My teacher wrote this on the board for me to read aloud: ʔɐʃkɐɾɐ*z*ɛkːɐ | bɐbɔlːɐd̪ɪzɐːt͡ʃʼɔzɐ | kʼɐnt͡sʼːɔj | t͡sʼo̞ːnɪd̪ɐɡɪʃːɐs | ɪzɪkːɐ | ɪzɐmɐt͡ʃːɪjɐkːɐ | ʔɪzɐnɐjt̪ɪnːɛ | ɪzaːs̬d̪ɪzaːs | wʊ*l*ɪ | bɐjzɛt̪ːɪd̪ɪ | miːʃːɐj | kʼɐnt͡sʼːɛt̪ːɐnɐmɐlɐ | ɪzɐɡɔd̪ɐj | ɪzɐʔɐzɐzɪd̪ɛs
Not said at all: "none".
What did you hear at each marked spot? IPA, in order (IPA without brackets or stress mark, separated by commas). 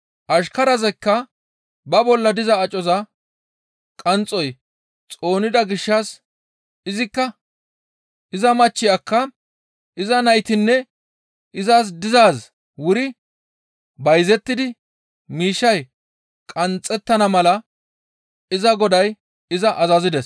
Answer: z, ɾ